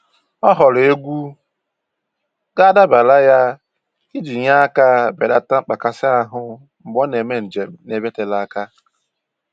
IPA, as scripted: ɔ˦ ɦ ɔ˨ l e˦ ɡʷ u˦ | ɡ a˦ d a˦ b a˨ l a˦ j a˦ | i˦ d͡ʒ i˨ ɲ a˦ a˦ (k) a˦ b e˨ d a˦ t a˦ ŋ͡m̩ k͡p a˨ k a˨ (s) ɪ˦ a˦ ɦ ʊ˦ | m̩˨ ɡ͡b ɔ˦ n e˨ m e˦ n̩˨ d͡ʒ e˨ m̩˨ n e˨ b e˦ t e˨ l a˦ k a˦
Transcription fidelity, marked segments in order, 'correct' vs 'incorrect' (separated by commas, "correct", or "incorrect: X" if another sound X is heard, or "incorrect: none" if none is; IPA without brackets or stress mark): correct, correct